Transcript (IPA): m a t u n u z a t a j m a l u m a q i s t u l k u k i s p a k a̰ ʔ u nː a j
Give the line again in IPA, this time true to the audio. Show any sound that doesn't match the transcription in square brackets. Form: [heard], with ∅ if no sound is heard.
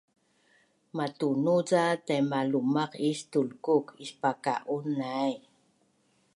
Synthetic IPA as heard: m a t u n u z a t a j m a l u m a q i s t u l k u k i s p a k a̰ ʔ u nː a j